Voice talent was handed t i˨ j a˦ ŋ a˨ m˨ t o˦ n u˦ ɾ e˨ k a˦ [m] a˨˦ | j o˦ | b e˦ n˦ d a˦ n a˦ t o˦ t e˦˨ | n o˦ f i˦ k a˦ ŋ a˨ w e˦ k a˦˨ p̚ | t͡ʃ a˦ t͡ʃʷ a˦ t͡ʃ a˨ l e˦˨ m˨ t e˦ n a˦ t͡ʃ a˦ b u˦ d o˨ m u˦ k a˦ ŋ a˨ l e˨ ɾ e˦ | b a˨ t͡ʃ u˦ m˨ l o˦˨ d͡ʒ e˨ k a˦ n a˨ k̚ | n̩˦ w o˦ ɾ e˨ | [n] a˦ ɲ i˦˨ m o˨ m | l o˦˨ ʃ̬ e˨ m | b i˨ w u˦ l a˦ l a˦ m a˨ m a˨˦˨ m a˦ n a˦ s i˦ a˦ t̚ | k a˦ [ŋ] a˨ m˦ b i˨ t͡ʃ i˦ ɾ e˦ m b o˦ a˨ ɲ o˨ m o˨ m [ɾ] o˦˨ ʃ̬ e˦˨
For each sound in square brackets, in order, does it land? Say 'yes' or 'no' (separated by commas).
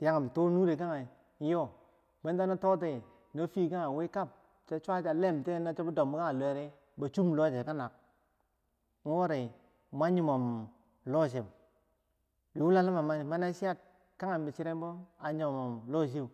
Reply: no, no, yes, no